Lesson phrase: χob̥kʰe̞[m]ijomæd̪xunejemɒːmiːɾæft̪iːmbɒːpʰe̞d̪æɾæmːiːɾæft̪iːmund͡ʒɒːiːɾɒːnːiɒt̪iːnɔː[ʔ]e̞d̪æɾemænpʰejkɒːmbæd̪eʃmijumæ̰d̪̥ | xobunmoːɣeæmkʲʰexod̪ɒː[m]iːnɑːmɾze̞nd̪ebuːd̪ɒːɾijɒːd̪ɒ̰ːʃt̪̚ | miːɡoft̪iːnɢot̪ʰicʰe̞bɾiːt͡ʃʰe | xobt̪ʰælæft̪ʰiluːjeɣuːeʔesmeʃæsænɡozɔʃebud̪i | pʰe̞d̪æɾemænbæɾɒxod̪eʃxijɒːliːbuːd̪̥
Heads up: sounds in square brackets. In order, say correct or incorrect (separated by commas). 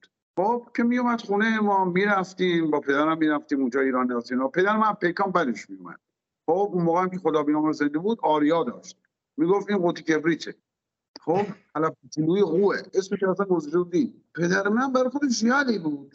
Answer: correct, incorrect, incorrect